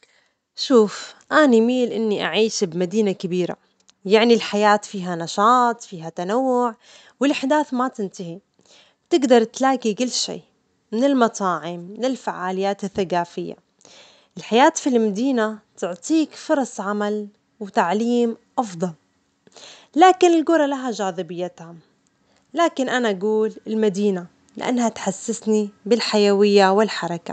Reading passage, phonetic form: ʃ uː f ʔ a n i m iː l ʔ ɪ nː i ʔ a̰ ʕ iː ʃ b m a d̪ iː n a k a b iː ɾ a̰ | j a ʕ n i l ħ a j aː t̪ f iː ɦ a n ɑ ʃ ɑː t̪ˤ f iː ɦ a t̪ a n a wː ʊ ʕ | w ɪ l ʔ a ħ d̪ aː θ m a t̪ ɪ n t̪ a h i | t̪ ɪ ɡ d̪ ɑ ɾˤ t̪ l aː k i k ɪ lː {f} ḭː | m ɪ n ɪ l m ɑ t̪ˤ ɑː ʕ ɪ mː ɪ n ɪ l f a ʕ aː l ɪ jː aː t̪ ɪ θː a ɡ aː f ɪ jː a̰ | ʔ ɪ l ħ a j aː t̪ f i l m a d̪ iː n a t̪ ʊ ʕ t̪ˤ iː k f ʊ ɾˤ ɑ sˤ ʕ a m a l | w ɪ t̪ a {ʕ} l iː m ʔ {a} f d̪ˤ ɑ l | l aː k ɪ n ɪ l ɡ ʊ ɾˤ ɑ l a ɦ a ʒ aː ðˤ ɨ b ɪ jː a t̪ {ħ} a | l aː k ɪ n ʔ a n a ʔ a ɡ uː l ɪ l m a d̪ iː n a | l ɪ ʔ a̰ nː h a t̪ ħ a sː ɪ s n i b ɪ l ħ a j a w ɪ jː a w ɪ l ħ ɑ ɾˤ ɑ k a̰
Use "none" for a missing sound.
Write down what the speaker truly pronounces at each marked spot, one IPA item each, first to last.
ʃ, ʕ, ɑ, h

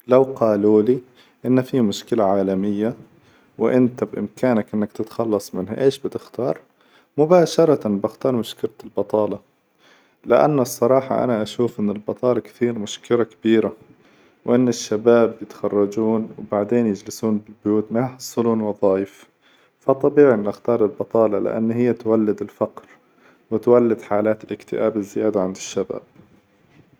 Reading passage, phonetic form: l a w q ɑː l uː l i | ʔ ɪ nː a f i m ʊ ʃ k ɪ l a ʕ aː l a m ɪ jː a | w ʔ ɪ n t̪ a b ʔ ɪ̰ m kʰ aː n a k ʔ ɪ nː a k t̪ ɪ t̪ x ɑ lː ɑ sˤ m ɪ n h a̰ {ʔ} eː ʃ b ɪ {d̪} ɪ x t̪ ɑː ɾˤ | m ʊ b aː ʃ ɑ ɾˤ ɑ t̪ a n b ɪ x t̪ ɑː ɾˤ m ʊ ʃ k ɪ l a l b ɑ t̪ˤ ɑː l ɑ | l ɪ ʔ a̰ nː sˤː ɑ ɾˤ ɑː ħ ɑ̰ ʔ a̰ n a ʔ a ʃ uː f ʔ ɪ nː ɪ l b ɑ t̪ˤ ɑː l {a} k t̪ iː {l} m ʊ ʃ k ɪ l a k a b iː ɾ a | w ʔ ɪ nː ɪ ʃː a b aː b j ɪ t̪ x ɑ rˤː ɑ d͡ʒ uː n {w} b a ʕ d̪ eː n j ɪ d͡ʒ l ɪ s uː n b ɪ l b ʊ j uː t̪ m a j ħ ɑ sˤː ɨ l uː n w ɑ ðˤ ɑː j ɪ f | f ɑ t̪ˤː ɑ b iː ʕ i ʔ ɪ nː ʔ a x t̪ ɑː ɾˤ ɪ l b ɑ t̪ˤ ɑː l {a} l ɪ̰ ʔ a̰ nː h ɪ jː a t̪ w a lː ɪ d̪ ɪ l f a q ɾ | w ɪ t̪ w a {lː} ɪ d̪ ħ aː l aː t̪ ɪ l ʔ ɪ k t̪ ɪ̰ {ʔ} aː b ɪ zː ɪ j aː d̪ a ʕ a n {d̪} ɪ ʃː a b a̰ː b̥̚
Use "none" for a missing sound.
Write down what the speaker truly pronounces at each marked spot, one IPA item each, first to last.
ʔ, t̪, ɑ, ɾ, w, ɑ, lː, ʔ, d̪

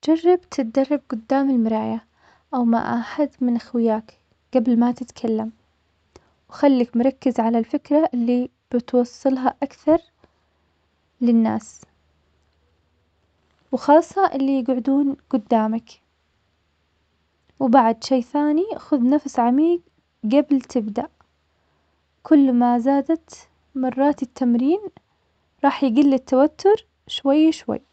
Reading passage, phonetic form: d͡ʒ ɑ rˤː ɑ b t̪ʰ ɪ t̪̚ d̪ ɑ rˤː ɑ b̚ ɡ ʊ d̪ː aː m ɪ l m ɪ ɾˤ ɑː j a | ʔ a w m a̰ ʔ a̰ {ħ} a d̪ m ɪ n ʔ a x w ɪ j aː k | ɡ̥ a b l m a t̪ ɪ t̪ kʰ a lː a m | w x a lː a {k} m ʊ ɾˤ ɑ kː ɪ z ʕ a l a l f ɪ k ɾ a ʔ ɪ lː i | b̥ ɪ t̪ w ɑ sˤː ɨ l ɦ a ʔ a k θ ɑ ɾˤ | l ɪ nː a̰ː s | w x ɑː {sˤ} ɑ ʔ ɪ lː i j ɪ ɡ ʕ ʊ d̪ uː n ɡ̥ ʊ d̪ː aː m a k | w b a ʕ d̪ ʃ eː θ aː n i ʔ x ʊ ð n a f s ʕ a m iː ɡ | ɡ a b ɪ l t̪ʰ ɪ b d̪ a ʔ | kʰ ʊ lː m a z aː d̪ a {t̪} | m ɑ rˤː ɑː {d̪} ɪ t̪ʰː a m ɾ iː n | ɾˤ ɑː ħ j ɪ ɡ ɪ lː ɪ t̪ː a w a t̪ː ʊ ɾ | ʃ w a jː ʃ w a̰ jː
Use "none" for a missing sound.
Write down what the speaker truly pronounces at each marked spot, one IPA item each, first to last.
ħ, k, sˤː, t̪, t̪

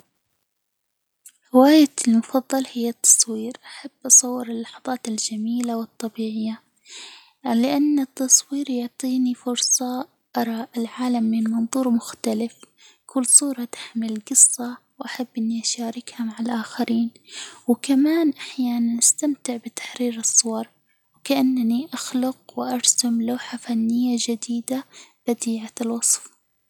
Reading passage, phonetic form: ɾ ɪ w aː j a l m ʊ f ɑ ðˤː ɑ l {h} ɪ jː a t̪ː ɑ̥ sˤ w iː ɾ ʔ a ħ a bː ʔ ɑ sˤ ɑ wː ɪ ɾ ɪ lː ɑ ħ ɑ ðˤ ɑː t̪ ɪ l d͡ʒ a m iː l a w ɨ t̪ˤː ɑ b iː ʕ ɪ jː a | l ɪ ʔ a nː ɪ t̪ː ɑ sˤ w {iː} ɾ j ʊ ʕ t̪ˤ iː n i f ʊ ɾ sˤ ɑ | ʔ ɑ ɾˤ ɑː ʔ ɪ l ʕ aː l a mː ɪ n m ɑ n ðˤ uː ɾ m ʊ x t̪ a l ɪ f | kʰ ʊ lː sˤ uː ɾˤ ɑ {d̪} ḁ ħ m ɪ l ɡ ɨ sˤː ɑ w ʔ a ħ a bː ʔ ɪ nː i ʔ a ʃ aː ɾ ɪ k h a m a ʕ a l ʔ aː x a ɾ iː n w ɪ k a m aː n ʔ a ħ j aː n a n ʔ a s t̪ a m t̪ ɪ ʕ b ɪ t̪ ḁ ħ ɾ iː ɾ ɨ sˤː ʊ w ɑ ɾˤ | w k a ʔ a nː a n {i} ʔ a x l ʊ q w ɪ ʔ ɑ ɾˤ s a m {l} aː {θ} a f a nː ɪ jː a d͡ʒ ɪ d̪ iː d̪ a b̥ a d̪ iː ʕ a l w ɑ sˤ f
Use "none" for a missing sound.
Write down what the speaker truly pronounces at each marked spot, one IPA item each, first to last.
h, iː, t̪, i, l, ħ

